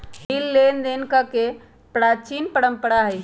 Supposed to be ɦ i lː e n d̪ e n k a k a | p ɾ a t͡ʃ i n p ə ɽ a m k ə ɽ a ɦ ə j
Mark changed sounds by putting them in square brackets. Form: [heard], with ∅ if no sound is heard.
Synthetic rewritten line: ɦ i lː e n d̪ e n k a k [e] | p ɾ a t͡ʃ i n p ə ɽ [ə] m [p] ə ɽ a ɦ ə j